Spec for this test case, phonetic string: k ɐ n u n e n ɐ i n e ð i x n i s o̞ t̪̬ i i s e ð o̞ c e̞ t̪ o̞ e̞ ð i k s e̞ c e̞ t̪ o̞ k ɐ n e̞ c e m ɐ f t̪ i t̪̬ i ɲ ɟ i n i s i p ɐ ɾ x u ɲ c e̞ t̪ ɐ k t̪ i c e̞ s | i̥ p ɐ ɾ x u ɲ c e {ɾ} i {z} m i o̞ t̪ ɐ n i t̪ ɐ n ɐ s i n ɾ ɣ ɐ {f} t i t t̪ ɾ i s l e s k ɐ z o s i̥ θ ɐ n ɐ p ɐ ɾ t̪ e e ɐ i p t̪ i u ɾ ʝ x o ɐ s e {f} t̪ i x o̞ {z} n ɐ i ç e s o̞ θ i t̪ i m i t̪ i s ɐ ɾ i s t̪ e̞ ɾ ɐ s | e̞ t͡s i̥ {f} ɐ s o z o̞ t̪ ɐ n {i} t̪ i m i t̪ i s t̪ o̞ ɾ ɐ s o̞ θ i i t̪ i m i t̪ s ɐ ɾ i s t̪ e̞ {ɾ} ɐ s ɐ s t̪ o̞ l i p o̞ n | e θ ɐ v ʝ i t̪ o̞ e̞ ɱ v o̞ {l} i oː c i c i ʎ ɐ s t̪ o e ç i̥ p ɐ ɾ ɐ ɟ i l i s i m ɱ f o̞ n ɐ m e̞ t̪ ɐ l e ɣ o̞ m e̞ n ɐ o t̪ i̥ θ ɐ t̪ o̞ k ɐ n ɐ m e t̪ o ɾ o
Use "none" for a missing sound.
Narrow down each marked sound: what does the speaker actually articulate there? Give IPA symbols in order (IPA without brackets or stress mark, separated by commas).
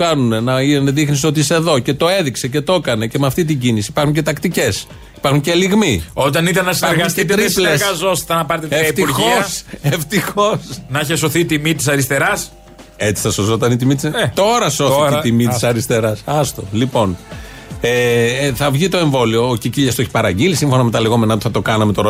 l, ɣ, s, f, s, θ, i, ɾ, l